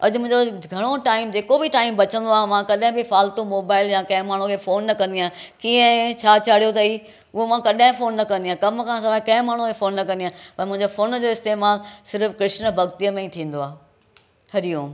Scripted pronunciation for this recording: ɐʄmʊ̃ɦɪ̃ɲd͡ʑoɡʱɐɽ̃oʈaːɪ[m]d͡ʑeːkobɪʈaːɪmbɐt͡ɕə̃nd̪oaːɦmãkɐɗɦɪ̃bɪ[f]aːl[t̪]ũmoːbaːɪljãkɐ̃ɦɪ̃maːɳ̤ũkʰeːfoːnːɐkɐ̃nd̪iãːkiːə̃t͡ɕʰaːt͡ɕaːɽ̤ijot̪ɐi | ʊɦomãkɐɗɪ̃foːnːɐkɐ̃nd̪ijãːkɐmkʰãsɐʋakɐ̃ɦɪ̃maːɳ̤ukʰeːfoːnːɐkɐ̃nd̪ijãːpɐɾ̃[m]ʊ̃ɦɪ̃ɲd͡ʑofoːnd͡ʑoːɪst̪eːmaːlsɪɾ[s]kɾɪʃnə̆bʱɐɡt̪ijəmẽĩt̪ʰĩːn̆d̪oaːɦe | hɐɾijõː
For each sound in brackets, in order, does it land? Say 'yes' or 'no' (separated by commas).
yes, yes, yes, yes, no